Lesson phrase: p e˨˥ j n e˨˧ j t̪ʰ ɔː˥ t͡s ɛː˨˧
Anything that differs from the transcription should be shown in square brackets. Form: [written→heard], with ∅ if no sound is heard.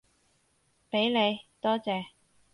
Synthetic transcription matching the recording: p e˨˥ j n e˨˧ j [t̪ʰ→t̪] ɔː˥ t͡s ɛː˨˧